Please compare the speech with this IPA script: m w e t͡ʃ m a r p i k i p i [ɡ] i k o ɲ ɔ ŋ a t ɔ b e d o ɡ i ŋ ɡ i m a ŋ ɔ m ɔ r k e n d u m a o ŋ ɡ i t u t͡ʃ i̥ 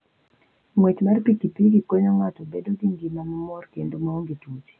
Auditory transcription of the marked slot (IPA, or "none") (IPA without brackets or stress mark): ɡ